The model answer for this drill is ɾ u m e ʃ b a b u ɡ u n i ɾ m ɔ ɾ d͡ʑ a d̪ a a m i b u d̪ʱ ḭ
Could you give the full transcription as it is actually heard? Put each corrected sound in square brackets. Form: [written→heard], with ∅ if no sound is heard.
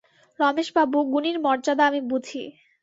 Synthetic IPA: ɾ [u→ɔ] m e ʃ b a b u ɡ u n i ɾ m ɔ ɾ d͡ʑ a d̪ a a m i b u d̪ʱ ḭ